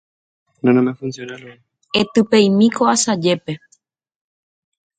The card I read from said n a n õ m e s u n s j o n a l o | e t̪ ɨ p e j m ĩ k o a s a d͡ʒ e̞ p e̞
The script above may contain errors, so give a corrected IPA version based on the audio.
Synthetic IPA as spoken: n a n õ m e f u n s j o n a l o | e t̪ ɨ p e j m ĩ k o a s a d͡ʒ e̞ p e̞